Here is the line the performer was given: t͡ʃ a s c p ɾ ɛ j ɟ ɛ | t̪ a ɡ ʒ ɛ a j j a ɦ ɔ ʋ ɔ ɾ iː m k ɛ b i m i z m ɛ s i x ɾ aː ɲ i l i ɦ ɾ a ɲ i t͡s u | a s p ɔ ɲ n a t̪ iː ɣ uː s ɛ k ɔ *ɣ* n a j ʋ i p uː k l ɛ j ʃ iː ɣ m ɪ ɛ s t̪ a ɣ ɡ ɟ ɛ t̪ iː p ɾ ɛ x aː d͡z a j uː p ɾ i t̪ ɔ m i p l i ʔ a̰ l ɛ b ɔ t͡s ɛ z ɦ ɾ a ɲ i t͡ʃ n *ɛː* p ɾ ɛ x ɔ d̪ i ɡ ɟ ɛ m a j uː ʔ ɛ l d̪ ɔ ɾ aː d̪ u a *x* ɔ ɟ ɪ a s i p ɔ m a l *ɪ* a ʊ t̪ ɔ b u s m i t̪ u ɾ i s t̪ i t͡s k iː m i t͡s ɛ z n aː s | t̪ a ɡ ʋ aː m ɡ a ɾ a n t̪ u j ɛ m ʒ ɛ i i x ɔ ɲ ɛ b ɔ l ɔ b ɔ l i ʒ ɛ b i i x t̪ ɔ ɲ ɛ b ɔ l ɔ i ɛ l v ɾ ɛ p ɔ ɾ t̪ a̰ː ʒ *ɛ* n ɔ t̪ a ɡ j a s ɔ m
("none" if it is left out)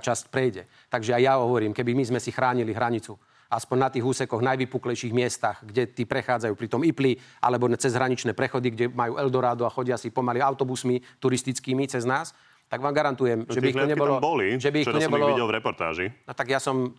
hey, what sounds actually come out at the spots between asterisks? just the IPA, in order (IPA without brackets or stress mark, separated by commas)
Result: ɣ, ɛː, x, i, i